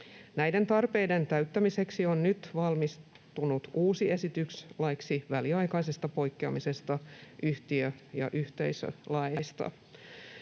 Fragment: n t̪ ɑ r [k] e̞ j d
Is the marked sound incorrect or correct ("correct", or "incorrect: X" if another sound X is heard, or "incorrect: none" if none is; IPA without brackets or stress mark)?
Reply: incorrect: p